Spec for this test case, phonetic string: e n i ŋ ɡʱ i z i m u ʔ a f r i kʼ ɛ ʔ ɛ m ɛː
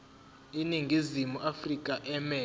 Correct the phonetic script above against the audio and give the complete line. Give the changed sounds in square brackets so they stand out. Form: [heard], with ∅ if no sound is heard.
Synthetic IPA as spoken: [i] n i ŋ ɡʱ i z i m u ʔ a f r i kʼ [a] ʔ ɛ m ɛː